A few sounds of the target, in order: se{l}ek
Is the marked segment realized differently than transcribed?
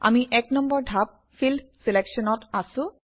no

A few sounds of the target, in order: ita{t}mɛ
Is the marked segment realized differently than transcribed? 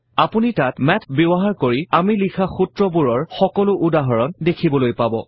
no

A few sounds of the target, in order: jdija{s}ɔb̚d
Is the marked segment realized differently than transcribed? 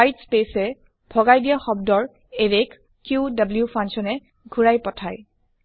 yes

